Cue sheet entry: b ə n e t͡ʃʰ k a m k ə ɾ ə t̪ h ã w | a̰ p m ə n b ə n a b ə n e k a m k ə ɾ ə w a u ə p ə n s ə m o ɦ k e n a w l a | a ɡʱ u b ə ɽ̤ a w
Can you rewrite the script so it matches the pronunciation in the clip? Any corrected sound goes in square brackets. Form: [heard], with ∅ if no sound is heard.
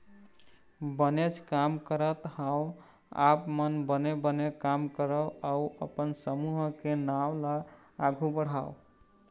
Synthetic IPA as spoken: b ə n e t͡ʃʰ k a m k ə ɾ ə t̪ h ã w | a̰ p m ə n b ə n [e] b ə n e k a m k ə ɾ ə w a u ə p ə n s ə m [u] ɦ k e n a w l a | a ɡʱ u b ə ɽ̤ a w